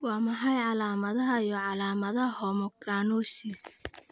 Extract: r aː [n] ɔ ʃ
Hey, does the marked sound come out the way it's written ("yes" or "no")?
yes